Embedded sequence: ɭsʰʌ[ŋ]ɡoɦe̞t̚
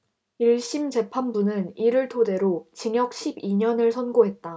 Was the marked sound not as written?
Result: yes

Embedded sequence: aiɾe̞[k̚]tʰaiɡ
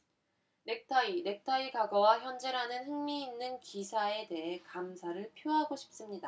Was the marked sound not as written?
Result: no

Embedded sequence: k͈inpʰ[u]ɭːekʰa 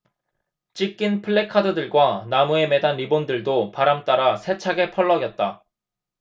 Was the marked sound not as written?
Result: yes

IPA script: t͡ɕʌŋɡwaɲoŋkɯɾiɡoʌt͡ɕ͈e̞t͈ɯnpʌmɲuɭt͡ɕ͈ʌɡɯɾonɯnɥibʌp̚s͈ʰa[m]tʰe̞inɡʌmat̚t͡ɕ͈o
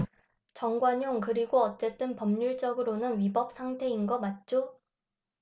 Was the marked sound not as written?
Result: yes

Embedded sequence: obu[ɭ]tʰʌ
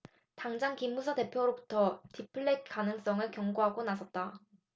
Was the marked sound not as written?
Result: yes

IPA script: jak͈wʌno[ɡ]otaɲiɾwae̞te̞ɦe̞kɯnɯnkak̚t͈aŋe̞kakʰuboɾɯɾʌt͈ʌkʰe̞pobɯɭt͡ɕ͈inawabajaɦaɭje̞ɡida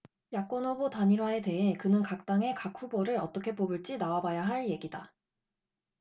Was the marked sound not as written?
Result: yes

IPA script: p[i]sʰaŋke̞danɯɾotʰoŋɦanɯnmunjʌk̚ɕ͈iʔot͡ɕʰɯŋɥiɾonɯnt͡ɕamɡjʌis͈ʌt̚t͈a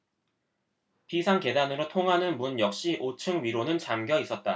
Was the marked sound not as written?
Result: no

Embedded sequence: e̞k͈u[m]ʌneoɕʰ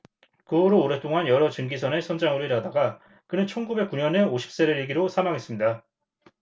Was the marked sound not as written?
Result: yes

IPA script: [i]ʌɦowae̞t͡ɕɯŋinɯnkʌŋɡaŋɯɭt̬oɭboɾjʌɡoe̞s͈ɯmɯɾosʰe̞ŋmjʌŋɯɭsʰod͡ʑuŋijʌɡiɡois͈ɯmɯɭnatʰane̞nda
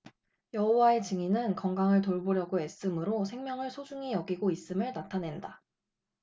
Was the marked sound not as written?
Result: yes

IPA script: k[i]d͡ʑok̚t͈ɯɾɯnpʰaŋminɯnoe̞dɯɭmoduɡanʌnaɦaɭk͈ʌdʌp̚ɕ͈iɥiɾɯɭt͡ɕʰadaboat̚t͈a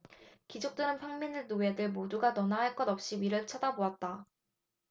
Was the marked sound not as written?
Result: no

